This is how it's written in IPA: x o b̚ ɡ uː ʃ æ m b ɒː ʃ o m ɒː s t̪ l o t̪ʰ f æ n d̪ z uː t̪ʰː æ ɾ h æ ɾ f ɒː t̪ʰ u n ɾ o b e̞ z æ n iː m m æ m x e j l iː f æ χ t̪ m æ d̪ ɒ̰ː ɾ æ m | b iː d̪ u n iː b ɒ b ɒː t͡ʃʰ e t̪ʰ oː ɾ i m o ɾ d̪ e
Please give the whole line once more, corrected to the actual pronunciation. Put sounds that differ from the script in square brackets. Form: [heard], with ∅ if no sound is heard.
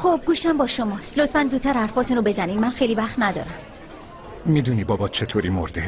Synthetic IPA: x o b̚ ɡ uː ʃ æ m b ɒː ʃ o m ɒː s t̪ l o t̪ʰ f æ n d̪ z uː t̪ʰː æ ɾ h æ ɾ f ɒː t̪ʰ u n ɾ o b e̞ z æ n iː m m æ [n] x e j l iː [v] æ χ t̪ [n] æ d̪ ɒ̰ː ɾ æ m | [m] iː d̪ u n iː b ɒ b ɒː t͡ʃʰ e t̪ʰ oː ɾ i m o ɾ d̪ e